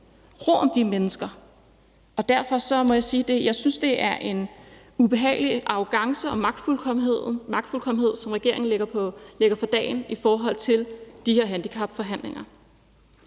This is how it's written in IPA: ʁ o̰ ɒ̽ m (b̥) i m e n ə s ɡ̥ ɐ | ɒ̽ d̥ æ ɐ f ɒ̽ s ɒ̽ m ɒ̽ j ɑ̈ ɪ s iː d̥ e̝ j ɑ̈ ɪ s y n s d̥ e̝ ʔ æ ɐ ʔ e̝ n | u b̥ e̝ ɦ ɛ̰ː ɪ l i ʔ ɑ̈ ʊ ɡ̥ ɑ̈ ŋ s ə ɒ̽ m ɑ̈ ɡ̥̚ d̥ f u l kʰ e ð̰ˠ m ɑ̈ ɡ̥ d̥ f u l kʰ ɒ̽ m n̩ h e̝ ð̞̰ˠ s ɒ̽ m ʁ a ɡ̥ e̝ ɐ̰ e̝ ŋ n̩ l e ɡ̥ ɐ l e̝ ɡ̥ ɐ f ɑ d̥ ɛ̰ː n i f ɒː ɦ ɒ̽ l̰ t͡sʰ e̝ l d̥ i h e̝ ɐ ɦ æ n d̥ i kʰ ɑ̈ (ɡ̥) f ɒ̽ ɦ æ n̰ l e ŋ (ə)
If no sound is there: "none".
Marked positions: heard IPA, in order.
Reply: d̥, b̥, ɐ

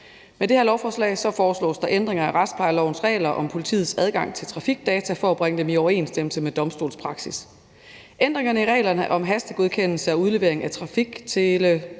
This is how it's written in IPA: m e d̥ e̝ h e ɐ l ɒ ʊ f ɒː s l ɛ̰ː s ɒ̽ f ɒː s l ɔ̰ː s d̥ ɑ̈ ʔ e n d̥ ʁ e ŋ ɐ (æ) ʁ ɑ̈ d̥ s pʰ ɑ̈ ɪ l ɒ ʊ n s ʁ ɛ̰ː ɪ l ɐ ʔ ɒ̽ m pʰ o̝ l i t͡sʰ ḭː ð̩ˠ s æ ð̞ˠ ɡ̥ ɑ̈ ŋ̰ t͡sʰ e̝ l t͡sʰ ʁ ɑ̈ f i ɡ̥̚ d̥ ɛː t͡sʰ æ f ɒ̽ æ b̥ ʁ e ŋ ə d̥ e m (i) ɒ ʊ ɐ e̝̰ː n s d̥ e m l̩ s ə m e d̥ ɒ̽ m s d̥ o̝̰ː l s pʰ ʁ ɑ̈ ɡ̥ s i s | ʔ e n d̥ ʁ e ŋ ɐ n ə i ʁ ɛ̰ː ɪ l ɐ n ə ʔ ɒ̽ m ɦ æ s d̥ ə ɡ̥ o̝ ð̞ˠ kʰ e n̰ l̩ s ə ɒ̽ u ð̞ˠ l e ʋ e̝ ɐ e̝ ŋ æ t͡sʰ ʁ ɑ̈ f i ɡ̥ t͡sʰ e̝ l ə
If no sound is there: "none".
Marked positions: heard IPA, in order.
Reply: æ, i

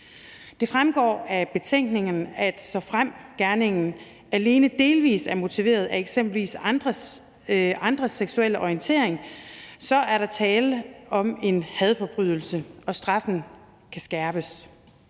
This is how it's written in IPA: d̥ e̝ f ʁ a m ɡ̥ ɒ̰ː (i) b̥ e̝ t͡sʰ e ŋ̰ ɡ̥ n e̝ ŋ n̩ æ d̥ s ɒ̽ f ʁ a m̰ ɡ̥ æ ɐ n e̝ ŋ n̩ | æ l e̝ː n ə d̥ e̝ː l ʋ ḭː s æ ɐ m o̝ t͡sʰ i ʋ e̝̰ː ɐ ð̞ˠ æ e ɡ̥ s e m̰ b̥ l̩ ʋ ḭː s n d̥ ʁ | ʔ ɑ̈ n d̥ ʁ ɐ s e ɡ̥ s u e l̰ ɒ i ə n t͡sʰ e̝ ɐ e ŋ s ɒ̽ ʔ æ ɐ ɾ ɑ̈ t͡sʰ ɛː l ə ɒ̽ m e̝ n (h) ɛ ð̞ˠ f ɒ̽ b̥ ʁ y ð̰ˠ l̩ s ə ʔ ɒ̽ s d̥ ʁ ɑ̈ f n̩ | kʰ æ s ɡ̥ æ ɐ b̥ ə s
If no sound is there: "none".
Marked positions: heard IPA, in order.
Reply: æ, h

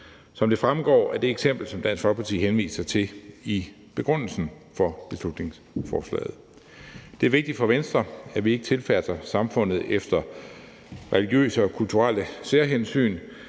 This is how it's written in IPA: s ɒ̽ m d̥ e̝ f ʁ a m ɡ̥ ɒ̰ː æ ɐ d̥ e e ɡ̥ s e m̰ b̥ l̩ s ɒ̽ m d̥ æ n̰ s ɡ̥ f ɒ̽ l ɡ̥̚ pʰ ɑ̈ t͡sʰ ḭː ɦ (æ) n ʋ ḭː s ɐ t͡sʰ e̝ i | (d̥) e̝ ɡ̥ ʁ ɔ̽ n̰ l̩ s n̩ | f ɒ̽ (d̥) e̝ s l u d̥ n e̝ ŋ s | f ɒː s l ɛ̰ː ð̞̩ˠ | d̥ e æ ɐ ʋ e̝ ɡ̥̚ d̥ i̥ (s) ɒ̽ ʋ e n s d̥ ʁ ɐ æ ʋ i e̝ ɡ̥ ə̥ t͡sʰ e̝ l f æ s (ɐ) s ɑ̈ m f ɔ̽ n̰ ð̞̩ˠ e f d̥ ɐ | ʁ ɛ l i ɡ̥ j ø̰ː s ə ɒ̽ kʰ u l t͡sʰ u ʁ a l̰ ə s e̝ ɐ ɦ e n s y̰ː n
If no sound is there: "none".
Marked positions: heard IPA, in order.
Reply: e, b̥, b̥, f, ɐ

